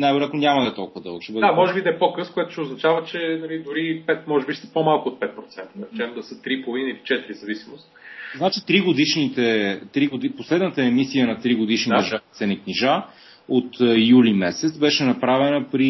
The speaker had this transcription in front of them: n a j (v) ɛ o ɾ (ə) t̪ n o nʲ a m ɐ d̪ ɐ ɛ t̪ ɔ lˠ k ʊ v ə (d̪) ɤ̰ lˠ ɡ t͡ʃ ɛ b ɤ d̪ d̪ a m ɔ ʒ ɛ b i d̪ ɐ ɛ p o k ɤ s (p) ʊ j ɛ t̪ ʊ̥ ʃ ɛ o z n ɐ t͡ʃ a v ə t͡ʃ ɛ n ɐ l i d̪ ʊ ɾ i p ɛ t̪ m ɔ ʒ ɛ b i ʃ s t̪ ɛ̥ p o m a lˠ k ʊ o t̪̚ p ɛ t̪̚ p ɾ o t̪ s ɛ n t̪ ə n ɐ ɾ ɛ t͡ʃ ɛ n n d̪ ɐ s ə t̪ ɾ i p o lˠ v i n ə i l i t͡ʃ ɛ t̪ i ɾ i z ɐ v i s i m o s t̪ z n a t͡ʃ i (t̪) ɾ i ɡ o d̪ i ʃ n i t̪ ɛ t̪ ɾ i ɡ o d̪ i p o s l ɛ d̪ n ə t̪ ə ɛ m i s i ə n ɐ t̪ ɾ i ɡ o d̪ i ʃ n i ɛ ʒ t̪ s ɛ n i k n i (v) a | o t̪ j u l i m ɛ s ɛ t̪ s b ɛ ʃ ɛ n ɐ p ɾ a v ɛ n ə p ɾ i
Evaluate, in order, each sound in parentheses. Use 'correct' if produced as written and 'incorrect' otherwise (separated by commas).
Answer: correct, incorrect, correct, incorrect, correct, incorrect